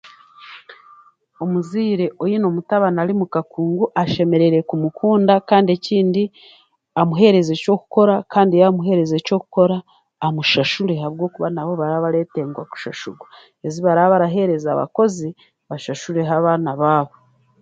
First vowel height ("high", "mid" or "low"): mid